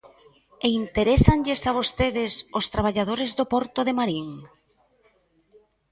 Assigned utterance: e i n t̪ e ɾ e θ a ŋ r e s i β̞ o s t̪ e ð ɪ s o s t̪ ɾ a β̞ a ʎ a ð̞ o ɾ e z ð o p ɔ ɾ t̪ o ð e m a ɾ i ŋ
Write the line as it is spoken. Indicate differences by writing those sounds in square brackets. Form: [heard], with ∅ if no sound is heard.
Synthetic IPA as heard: e i n t̪ e ɾ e [s] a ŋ [ʎ] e s [a] β̞ o s t̪ e ð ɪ s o s t̪ ɾ a β̞ a ʎ a ð̞ o ɾ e z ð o p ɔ ɾ t̪ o ð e m a ɾ i ŋ